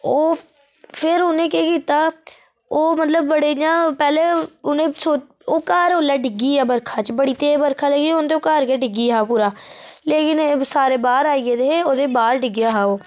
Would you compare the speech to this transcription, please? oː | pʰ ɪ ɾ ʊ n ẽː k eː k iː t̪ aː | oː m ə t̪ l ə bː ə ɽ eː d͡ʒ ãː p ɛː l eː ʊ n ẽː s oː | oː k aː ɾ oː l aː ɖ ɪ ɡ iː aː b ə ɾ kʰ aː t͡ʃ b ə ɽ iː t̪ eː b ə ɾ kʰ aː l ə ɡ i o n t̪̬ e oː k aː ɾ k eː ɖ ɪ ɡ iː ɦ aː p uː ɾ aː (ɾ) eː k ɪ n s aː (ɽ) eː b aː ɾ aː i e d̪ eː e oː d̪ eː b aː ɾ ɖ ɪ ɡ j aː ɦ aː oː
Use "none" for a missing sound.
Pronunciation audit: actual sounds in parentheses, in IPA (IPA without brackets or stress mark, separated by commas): l, ɾ